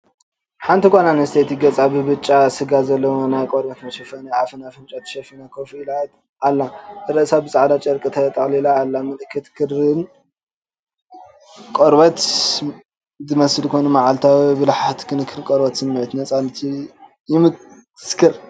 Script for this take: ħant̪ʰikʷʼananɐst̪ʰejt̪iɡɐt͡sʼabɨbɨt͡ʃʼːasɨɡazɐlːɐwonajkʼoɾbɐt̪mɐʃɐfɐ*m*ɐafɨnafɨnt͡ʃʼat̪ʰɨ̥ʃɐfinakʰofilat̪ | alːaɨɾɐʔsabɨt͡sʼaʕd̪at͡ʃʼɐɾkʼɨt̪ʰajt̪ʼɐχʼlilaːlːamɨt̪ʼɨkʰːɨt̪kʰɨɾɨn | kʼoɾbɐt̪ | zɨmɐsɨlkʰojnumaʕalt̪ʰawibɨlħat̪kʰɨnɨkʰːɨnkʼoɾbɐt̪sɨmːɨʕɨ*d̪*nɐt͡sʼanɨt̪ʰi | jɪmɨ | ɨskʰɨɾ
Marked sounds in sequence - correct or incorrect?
incorrect: n, incorrect: t̪

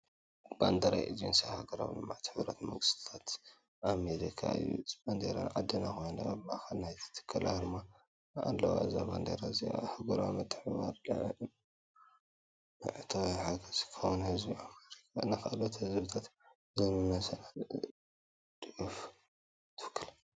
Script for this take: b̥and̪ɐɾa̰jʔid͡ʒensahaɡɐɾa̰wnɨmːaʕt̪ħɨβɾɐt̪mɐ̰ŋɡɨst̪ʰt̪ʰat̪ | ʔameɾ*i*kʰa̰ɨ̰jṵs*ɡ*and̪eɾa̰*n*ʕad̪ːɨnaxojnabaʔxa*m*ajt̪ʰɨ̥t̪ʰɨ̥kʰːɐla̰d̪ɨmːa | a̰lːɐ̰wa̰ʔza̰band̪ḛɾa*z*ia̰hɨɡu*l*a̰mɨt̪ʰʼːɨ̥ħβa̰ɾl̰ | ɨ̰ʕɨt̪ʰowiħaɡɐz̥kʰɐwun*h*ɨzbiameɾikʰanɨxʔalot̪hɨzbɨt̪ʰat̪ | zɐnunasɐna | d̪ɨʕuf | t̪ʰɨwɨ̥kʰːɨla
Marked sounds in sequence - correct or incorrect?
correct, incorrect: b, correct, incorrect: n, correct, incorrect: ɾ, correct

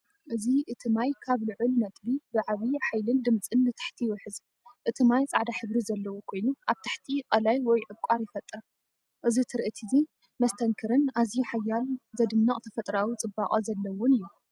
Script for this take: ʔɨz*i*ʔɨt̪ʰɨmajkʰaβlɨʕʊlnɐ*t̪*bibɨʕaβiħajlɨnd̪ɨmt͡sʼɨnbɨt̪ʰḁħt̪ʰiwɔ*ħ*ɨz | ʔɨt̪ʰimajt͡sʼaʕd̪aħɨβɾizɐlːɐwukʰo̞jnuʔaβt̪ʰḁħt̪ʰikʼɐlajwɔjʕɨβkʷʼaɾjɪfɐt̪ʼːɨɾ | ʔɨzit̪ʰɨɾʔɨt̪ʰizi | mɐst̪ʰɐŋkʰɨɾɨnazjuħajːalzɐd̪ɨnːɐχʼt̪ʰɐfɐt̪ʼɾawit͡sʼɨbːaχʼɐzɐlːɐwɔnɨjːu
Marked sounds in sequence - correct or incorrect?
correct, incorrect: t̪ʼ, correct

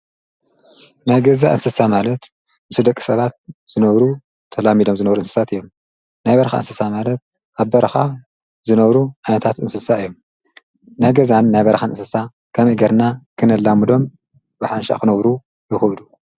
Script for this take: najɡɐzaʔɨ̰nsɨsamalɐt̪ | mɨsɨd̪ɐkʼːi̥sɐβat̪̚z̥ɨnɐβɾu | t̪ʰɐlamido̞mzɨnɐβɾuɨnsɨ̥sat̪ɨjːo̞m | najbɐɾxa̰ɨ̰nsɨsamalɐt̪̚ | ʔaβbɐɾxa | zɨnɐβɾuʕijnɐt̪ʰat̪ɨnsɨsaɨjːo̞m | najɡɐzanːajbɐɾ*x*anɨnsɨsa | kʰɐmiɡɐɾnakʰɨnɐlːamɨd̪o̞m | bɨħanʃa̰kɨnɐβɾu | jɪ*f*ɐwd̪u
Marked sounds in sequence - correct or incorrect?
correct, incorrect: x

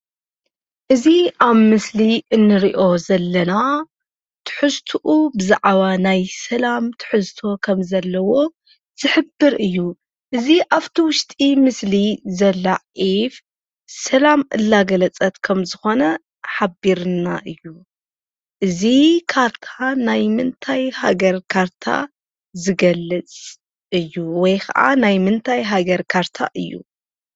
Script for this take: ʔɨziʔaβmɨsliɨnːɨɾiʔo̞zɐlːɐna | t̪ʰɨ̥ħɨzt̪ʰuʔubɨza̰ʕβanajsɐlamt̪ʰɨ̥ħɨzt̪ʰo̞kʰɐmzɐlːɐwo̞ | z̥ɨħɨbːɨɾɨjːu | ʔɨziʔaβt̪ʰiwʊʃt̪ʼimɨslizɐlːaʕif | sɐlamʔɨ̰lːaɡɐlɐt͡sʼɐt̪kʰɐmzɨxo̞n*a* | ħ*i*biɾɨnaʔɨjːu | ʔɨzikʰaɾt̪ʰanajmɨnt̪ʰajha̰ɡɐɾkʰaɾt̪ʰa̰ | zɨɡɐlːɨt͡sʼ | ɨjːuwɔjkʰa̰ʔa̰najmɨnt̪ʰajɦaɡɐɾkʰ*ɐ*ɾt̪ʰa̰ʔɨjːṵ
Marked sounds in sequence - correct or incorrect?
incorrect: ɐ, incorrect: a, incorrect: a

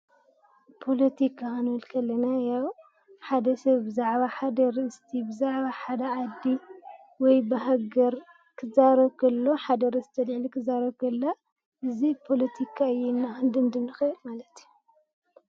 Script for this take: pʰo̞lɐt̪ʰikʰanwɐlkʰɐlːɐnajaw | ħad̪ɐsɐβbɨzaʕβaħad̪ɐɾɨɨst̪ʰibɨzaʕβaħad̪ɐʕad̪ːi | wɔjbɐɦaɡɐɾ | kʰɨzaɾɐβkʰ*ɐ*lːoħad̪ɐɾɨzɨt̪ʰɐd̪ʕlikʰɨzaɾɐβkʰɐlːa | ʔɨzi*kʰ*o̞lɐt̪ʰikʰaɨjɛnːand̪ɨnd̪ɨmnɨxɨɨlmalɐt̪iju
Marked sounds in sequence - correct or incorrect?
correct, incorrect: pʰ

